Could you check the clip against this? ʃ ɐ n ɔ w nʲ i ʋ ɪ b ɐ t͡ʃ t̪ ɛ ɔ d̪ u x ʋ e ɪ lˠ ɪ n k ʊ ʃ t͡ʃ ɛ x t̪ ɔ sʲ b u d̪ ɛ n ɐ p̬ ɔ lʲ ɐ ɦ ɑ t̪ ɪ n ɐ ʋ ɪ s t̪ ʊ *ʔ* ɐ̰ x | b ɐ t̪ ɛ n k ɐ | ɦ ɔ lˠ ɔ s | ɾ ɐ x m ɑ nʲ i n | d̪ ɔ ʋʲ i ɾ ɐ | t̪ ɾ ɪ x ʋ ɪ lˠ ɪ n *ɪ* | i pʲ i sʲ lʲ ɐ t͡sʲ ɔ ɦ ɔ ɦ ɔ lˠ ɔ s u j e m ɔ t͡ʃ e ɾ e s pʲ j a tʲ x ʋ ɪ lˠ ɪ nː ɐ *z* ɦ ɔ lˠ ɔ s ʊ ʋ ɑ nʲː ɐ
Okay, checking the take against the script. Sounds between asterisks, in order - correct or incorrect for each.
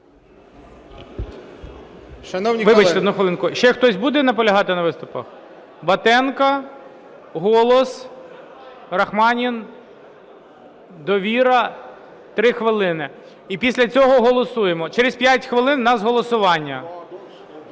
incorrect, correct, correct

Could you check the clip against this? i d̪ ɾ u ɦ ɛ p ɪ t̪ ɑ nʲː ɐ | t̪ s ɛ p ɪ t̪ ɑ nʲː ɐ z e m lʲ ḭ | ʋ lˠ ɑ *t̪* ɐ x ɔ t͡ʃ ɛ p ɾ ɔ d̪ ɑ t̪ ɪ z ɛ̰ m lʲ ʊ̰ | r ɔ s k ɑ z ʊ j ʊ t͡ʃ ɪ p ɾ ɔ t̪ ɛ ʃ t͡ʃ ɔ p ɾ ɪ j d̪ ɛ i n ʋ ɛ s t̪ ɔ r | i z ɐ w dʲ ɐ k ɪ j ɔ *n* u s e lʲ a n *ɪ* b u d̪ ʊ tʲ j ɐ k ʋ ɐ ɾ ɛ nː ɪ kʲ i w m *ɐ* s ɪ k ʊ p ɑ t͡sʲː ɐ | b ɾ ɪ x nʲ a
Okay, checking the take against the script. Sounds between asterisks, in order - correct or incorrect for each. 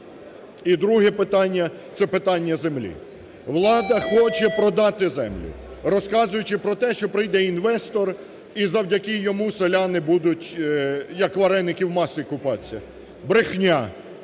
incorrect, incorrect, correct, incorrect

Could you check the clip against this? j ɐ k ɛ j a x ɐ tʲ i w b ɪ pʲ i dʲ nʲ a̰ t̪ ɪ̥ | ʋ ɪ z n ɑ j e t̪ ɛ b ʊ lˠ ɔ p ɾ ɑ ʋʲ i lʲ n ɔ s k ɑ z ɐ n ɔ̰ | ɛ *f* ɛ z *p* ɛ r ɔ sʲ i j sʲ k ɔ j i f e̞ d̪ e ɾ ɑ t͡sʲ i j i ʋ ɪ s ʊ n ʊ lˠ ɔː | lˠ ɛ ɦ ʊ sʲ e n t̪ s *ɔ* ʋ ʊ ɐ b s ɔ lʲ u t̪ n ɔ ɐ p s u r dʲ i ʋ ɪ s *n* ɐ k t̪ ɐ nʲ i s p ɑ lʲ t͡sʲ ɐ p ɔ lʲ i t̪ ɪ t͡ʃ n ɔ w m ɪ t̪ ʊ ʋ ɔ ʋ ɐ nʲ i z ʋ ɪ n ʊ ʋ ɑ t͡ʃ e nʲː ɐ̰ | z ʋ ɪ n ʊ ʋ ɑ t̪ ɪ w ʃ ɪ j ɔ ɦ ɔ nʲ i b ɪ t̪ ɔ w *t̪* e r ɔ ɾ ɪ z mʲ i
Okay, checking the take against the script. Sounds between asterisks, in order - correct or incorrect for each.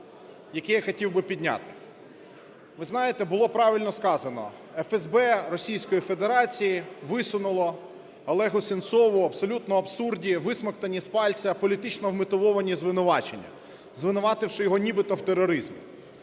correct, incorrect, correct, incorrect, correct

